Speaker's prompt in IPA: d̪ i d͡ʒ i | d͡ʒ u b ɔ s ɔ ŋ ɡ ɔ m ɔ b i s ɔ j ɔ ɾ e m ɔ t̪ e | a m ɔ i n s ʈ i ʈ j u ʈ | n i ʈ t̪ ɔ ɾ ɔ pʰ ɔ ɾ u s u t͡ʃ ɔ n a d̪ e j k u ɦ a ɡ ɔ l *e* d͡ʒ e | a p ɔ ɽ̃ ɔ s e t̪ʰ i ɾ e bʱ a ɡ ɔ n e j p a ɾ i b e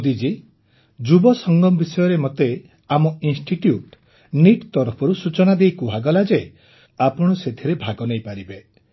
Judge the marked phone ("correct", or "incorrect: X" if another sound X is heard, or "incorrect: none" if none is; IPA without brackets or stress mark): incorrect: a